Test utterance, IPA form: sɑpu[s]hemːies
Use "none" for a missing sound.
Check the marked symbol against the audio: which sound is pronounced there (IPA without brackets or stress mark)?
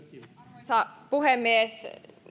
none